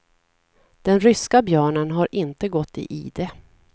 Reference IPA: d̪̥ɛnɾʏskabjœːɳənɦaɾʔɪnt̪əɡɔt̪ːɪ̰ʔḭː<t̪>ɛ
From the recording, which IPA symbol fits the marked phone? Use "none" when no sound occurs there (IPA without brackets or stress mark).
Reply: d̪